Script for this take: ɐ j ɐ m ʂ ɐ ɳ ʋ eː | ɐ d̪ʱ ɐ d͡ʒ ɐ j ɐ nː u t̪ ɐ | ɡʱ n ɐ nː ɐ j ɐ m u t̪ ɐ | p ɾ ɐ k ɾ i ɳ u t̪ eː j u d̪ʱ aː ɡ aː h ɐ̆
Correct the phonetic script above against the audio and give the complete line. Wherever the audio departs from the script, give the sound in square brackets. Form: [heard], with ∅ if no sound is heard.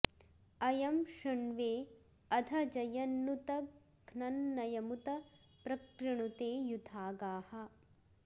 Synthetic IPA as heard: ɐ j ɐ m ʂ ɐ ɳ ʋ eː | ɐ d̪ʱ ɐ d͡ʒ ɐ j ɐ nː u t̪ ɐ | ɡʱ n ɐ nː ɐ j ɐ m u t̪ ɐ | p ɾ ɐ k ɾ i ɳ u t̪ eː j u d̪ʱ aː ɡ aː h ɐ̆